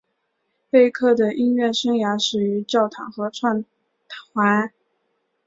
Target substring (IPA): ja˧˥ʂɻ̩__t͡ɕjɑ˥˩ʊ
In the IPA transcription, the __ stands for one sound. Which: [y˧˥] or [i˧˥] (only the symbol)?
y˧˥